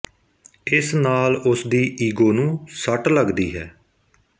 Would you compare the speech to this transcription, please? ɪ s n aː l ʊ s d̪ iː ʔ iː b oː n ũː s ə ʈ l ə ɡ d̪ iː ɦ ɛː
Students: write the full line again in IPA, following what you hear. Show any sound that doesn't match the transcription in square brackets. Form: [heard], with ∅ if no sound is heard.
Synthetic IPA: ɪ s n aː l ʊ s d̪ iː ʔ iː [ɡ] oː n ũː s ə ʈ l ə ɡ d̪ iː ɦ ɛː